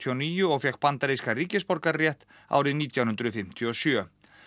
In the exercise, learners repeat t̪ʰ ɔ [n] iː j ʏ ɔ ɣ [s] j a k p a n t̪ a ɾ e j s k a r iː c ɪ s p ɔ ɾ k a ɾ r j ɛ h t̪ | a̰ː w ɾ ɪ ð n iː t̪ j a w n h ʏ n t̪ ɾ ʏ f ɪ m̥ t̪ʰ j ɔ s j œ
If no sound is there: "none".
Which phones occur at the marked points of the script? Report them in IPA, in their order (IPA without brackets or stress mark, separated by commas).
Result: n, f